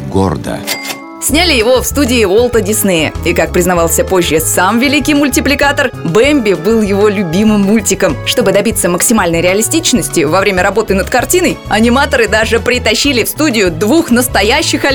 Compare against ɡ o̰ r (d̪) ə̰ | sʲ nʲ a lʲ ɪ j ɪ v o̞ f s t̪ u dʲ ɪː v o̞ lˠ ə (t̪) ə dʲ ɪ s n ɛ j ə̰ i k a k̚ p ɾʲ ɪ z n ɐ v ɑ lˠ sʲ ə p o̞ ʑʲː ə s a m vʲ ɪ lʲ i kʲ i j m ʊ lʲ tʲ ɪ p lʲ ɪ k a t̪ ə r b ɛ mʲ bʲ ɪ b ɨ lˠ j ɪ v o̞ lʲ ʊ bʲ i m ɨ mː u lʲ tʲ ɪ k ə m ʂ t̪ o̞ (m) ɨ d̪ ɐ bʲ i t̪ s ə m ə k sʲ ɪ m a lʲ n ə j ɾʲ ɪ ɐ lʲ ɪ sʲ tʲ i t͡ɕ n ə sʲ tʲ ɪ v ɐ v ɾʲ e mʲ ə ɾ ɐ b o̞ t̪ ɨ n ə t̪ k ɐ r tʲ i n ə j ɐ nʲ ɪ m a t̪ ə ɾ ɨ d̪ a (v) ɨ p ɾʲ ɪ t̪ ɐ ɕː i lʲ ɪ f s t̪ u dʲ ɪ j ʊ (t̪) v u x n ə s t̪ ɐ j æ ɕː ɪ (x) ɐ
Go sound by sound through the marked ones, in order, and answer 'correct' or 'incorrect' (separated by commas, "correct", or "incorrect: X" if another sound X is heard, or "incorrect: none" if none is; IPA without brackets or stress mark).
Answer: correct, correct, incorrect: b, incorrect: ʐ, incorrect: d̪, correct